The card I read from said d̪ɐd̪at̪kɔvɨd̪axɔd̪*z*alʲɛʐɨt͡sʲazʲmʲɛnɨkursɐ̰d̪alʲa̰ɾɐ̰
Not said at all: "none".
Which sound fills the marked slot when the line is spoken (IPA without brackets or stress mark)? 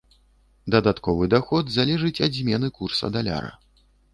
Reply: z